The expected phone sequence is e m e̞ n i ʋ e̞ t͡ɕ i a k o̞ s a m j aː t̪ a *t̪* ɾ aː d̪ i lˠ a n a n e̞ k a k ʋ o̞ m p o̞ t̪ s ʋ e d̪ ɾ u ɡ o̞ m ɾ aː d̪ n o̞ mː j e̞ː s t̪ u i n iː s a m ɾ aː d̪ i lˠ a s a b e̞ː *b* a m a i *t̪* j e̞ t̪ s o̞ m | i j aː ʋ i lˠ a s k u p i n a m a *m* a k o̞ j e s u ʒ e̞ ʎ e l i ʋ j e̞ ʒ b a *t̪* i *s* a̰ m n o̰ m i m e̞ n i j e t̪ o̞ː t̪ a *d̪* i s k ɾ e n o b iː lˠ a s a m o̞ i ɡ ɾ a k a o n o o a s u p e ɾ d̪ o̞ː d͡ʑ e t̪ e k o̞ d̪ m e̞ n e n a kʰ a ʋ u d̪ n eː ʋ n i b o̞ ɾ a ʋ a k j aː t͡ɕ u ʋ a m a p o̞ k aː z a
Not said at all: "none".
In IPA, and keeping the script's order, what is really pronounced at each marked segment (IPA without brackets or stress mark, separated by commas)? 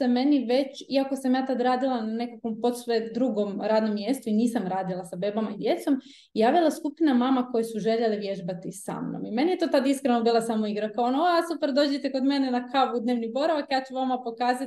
d̪, b, d̪, m, t̪, s, d̪